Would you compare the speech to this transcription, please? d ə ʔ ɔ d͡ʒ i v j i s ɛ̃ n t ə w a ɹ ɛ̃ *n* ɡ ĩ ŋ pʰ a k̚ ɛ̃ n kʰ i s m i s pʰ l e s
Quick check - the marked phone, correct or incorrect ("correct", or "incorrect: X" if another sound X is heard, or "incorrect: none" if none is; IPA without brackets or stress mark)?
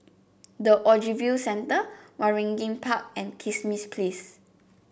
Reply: incorrect: ŋ